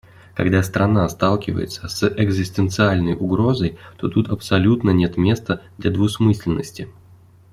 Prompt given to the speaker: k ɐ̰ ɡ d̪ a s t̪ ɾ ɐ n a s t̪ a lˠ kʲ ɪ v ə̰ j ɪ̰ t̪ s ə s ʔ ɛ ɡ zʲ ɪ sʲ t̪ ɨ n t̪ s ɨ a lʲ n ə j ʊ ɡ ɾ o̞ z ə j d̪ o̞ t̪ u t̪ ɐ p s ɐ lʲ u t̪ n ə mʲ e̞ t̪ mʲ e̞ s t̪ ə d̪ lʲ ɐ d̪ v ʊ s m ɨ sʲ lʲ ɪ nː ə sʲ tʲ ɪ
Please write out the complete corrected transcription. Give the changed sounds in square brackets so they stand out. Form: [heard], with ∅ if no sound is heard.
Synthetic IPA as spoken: k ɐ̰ ɡ d̪ a s t̪ ɾ ɐ n a s t̪ a lˠ kʲ ɪ v ə̰ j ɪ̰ t̪ s ə s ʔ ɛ ɡ zʲ ɪ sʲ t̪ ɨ n t̪ s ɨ a lʲ n ə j ʊ ɡ ɾ o̞ z ə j [t̪] o̞ t̪ u t̪ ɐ p s ɐ lʲ u t̪ n ə [nʲ] e̞ t̪ mʲ e̞ s t̪ ə d̪ lʲ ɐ d̪ v ʊ s m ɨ sʲ lʲ ɪ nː ə sʲ tʲ ɪ

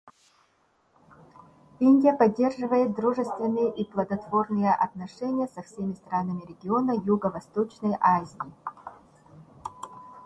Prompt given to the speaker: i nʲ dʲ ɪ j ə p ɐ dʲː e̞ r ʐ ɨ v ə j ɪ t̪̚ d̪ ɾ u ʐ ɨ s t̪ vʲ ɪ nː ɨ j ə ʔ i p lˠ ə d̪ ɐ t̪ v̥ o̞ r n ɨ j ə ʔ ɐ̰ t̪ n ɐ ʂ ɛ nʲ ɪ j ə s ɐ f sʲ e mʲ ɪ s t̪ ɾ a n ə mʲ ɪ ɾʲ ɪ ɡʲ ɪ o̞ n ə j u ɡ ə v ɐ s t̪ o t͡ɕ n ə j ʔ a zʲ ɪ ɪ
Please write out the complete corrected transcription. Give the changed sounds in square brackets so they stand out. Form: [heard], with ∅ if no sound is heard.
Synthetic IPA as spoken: i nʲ dʲ ɪ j ə p ɐ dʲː e̞ r ʐ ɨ v ə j ɪ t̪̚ d̪ ɾ u ʐ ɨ s t̪ vʲ ɪ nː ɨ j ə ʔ i p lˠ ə d̪ ɐ t̪ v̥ o̞ r n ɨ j ə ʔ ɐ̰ t̪ n ɐ ʂ ɛ nʲ ɪ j ə s ɐ f sʲ e mʲ ɪ s t̪ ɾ a n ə mʲ ɪ ɾʲ ɪ ɡʲ ɪ o̞ n ə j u ɡ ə v ɐ s t̪ o t͡ɕ n ə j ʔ a zʲ ɪ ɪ

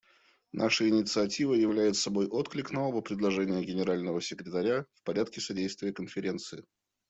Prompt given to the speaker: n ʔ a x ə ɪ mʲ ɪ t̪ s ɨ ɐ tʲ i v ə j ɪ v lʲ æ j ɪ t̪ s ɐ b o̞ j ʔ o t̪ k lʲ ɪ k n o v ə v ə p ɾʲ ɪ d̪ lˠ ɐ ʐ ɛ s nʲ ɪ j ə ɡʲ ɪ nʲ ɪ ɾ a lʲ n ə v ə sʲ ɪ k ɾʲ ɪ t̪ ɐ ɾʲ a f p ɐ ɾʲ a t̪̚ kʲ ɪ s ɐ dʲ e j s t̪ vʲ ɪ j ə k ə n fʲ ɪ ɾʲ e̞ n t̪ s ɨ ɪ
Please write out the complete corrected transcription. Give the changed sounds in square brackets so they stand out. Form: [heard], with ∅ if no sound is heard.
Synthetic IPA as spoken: n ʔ a [ʂ] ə ɪ [nʲ] ɪ t̪ s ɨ ɐ tʲ i v ə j ɪ v lʲ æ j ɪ t̪ s ɐ b o̞ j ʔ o t̪ k lʲ ɪ k n o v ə v ə p ɾʲ ɪ d̪ lˠ ɐ ʐ ɛ [∅] nʲ ɪ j ə ɡʲ ɪ nʲ ɪ ɾ a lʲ n ə v ə sʲ ɪ k ɾʲ ɪ t̪ ɐ ɾʲ a f p ɐ ɾʲ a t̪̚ kʲ ɪ s ɐ dʲ e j s t̪ vʲ ɪ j ə k ə n fʲ ɪ ɾʲ e̞ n t̪ s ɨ ɪ

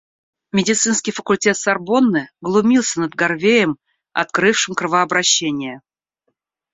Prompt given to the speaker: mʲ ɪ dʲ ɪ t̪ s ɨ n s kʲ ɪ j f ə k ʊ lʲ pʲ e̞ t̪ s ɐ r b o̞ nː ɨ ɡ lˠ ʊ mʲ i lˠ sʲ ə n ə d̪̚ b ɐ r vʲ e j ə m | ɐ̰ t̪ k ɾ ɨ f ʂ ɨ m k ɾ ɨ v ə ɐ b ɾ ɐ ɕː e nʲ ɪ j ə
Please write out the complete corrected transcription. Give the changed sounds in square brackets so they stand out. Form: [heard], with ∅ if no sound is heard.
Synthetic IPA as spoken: mʲ ɪ dʲ ɪ t̪ s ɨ n s kʲ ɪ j f ə k ʊ lʲ [tʲ] e̞ t̪ s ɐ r b o̞ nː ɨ ɡ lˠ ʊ mʲ i lˠ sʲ ə n ə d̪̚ [ɡ] ɐ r vʲ e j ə m | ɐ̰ t̪ k ɾ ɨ f ʂ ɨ m k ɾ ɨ v ə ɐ b ɾ ɐ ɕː e nʲ ɪ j ə

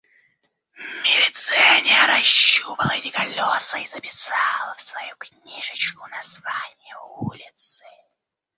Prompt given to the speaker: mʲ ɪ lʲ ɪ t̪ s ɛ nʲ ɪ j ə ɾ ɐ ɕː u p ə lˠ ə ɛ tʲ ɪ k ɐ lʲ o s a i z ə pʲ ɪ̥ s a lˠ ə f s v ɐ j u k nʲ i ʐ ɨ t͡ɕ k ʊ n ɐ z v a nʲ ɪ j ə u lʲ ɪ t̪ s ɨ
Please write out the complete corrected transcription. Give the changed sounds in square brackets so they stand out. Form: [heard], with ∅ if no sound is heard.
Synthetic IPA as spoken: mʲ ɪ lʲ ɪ t̪ s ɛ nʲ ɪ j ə ɾ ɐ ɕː u p ə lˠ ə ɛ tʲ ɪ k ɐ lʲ o s [ə] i z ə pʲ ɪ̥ s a lˠ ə f s v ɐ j u k nʲ i ʐ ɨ t͡ɕ k ʊ n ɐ z v a nʲ ɪ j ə u lʲ ɪ t̪ s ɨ

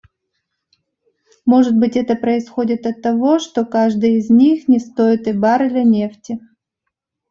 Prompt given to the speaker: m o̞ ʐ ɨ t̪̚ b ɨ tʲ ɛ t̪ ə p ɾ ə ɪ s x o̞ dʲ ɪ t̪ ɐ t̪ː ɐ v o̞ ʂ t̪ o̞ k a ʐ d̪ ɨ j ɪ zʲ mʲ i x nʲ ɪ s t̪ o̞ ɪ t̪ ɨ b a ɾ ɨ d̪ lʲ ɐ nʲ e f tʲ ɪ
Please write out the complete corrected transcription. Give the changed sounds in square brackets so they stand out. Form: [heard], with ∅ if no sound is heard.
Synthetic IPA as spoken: m o̞ ʐ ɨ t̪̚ b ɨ tʲ ɛ t̪ ə p ɾ ə ɪ s x o̞ dʲ ɪ t̪ ɐ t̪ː ɐ v o̞ ʂ t̪ o̞ k a ʐ d̪ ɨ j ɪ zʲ [nʲ] i x nʲ ɪ s t̪ o̞ ɪ t̪ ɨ b a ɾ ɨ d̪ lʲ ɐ nʲ e f tʲ ɪ

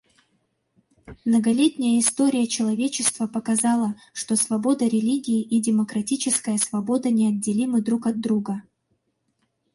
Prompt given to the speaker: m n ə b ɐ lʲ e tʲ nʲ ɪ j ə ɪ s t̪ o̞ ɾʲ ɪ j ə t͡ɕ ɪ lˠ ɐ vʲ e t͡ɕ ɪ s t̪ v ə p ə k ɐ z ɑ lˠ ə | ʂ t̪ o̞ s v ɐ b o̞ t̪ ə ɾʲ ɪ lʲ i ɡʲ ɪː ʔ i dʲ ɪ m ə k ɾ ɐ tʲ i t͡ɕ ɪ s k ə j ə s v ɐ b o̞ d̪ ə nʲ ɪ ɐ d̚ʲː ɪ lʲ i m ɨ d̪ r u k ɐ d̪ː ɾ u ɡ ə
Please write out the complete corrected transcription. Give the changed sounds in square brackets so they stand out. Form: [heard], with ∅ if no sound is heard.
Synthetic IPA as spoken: m n ə [ɡ] ɐ lʲ e tʲ nʲ ɪ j ə ɪ s t̪ o̞ ɾʲ ɪ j ə t͡ɕ ɪ lˠ ɐ vʲ e t͡ɕ ɪ s t̪ v ə p ə k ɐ z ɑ lˠ ə | ʂ t̪ o̞ s v ɐ b o̞ [d̪] ə ɾʲ ɪ lʲ i ɡʲ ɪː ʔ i dʲ ɪ m ə k ɾ ɐ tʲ i t͡ɕ ɪ s k ə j ə s v ɐ b o̞ d̪ ə nʲ ɪ ɐ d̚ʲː ɪ lʲ i m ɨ d̪ [ɾ] u k ɐ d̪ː ɾ u ɡ ə

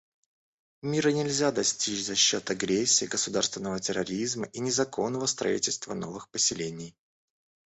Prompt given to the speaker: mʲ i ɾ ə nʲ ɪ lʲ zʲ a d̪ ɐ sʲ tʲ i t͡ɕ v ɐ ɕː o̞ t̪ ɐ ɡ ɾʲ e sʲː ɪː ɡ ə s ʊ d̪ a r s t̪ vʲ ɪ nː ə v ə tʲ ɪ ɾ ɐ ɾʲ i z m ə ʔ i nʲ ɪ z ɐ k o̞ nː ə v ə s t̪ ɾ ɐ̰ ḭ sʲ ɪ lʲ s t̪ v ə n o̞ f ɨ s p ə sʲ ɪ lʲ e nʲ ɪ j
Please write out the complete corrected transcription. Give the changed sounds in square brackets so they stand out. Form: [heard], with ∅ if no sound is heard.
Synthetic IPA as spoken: mʲ i ɾ ə nʲ ɪ lʲ zʲ a d̪ ɐ sʲ tʲ i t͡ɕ [z] ɐ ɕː o̞ t̪ ɐ ɡ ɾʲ e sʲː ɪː ɡ ə s ʊ d̪ a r s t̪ vʲ ɪ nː ə v ə tʲ ɪ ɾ ɐ ɾʲ i z m ə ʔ i nʲ ɪ z ɐ k o̞ nː ə v ə s t̪ ɾ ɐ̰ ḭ [tʲ] ɪ lʲ s t̪ v ə n o̞ [v] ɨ [x] p ə sʲ ɪ lʲ e nʲ ɪ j

